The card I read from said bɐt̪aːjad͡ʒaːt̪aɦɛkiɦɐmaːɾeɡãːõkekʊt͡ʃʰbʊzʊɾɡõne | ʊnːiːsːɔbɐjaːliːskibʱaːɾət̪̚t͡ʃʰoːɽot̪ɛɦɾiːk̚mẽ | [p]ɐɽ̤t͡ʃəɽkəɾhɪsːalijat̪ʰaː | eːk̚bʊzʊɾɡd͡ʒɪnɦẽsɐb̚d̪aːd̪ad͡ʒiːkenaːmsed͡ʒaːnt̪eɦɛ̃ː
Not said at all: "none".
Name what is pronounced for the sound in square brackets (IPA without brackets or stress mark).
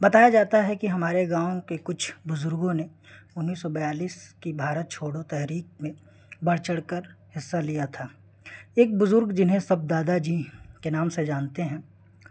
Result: b